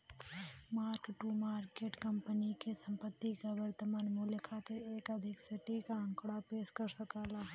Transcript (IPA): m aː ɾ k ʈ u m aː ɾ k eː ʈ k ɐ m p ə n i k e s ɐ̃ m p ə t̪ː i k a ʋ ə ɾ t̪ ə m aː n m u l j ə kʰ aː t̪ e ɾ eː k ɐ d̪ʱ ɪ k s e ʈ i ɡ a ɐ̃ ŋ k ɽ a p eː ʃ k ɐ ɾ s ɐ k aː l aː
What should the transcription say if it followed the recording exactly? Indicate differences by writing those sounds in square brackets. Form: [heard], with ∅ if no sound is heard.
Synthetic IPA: m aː ɾ k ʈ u m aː ɾ k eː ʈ k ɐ m p ə n i k e s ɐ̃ m p ə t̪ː i k a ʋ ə ɾ t̪ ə m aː n m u l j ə kʰ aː t̪ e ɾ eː k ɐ d̪ʱ ɪ k s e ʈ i [k] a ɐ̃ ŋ k ɽ a p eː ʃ k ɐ ɾ s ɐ k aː l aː